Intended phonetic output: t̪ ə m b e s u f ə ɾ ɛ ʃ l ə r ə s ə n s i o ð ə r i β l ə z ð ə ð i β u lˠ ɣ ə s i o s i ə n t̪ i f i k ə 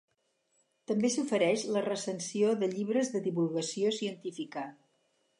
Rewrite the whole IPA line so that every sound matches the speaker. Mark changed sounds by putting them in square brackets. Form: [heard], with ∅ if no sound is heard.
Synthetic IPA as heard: t̪ ə m b e s u f ə ɾ ɛ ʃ l ə r ə s ə n s i o ð ə [ʎ] i β [ɾ] ə z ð ə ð i β u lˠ ɣ ə s i o s i ə n t̪ i f i k ə